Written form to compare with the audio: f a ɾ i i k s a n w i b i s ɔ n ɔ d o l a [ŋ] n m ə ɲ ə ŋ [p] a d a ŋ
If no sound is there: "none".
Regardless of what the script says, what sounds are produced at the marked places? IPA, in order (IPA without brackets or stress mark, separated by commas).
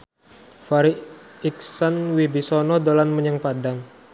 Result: none, p